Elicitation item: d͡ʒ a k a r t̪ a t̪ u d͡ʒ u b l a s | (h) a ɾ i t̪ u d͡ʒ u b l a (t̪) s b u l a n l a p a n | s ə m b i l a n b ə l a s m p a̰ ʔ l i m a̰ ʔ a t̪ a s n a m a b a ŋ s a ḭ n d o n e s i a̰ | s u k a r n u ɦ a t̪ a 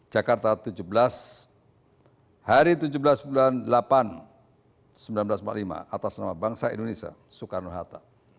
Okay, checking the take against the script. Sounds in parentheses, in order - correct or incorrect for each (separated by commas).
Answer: correct, incorrect